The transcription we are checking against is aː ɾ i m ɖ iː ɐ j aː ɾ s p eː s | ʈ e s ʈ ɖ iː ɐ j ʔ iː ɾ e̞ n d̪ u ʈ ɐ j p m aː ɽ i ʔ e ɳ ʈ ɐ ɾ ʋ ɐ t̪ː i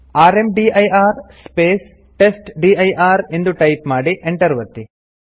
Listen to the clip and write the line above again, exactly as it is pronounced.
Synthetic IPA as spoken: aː ɾ e m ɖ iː ɐ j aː ɾ s p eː s | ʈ e s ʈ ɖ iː ɐ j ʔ aː ɾ e̞ n d̪ u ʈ ɐ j p m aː ɽ i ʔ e ɳ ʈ ɐ ɾ ʋ ɐ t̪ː i

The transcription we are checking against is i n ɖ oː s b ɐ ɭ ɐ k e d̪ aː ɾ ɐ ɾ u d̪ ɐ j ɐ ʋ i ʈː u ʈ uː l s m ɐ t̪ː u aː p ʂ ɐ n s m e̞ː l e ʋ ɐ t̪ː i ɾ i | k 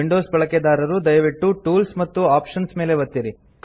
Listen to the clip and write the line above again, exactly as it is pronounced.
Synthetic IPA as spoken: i ɳ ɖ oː s b ɐ ɭ ɐ k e d̪ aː ɾ ɐ ɾ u d̪ ɐ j ɐ ʋ i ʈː u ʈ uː l s m ɐ t̪ː u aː p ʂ ɐ n s m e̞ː l e ʋ ɐ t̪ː i ɾ i | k

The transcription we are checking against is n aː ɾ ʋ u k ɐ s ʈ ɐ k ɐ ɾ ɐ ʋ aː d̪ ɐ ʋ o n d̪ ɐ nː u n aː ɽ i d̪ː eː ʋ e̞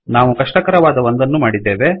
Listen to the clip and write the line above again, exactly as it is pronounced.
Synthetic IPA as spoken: n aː ʋ u k ɐ ʂ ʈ ɐ k ɐ ɾ ɐ ʋ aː d̪ ɐ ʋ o n d̪ ɐ nː u m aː ɽ i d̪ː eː ʋ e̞

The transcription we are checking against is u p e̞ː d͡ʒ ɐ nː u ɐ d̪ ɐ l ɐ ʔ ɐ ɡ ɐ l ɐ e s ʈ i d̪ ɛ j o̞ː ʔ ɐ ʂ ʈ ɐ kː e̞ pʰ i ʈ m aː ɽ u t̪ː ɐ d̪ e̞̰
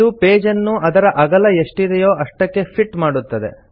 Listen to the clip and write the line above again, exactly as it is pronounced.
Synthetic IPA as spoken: u p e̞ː d͡ʒ ɐ nː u ɐ d̪ ɐ ɾ ɐ ʔ ɐ ɡ ɐ l ɐ e ʂ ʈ i d̪ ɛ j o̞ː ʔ ɐ ʂ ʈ ɐ kː e̞ pʰ i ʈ m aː ɽ u t̪ː ɐ d̪ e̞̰

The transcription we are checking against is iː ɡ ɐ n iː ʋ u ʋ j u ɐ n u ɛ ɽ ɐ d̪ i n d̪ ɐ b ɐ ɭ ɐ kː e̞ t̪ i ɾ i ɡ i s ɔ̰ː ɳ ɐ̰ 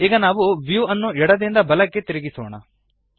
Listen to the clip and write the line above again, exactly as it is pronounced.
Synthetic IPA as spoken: iː ɡ ɐ n aː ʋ u ʋ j u ɐ nː u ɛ ɽ ɐ d̪ i n d̪ ɐ b ɐ l ɐ kː e̞ t̪ i ɾ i ɡ i s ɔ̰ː ɳ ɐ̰

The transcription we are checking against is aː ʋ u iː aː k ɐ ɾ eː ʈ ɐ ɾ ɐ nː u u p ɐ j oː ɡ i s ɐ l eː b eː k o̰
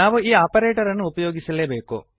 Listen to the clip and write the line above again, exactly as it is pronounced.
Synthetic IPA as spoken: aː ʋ u iː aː p ɐ ɾ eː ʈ ɐ ɾ ɐ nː u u p ɐ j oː ɡ i s ɐ l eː b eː k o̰

